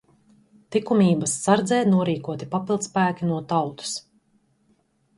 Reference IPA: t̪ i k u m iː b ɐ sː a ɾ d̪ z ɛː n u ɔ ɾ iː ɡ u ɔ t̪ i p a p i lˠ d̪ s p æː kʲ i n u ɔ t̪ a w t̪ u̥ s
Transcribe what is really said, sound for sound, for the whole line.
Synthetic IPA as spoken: t̪ i k u m iː b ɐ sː a ɾ d̪ z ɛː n u ɔ ɾ iː k u ɔ t̪ i p a p i lˠ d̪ s p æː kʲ i n u ɔ t̪ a w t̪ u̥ s